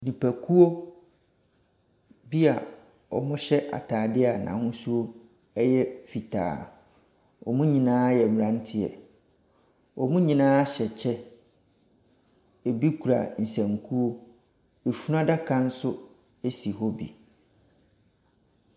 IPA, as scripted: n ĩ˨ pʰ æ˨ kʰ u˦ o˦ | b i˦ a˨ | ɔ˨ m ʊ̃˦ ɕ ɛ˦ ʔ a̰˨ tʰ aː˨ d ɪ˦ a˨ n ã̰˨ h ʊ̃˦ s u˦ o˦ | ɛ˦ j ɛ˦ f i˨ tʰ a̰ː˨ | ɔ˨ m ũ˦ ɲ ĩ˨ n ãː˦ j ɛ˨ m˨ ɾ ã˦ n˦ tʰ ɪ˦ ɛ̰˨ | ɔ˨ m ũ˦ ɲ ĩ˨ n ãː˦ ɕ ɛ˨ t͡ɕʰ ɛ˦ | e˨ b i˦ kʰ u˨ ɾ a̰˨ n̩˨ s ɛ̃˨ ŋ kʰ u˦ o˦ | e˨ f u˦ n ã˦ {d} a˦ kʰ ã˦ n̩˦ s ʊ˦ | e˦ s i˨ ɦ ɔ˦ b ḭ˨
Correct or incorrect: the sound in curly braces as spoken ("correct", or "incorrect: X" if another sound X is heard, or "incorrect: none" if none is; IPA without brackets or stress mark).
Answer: correct